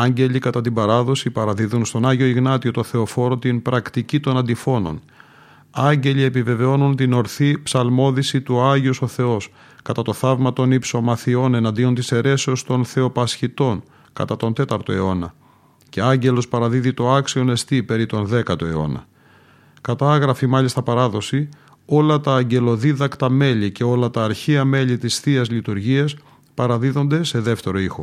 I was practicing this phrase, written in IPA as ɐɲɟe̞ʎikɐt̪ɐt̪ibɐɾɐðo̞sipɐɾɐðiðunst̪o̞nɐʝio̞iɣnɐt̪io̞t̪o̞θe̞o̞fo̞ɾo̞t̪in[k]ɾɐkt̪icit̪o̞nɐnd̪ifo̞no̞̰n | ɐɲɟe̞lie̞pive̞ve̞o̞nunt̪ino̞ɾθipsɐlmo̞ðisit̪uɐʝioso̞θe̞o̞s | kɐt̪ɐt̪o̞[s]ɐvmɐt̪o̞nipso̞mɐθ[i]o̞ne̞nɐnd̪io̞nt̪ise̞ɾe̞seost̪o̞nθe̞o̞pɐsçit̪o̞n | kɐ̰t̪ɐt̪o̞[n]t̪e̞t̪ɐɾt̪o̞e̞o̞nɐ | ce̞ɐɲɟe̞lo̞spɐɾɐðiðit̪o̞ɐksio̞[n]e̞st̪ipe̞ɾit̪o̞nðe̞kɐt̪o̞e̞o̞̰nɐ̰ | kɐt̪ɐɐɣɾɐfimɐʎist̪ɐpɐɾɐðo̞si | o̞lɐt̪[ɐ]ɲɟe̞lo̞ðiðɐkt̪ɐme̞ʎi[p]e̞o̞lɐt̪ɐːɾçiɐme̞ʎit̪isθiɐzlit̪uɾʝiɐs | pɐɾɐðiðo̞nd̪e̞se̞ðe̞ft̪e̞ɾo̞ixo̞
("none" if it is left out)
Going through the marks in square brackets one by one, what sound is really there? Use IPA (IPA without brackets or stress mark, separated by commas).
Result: p, θ, i, n, n, ɐː, c